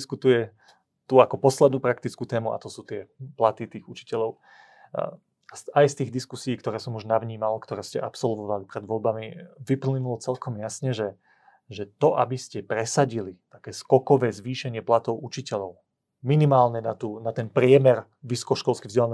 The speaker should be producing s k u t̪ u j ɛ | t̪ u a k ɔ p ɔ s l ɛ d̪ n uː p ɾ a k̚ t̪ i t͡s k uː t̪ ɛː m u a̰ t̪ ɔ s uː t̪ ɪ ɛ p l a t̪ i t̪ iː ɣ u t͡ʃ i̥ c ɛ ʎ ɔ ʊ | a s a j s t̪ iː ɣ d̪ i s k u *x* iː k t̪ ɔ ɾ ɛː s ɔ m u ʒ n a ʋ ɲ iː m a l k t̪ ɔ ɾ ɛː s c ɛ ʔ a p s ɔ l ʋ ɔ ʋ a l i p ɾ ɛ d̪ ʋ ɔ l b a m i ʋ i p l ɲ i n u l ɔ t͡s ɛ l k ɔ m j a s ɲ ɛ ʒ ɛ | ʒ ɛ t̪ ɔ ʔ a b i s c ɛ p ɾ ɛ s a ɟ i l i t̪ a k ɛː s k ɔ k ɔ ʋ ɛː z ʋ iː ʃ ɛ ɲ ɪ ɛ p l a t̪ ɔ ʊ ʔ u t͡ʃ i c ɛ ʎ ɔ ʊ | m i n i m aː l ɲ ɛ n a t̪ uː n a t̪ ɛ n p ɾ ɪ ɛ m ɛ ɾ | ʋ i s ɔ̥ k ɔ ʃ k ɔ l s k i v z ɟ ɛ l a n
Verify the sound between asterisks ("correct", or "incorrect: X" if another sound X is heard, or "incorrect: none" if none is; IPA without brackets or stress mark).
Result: incorrect: s